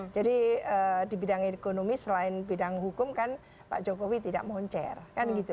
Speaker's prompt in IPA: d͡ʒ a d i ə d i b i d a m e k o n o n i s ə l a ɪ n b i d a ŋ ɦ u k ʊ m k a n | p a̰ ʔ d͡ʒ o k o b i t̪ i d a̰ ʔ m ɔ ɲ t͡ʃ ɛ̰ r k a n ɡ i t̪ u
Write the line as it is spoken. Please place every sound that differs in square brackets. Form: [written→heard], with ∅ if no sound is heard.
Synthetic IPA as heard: d͡ʒ a d i ə d i b i d a [m→ŋ] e k o n o [n→m] i s ə l a ɪ n b i d a ŋ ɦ u k ʊ m k a n | p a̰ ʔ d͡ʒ o k o [b→w] i t̪ i d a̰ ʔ m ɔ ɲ t͡ʃ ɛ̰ r k a n ɡ i t̪ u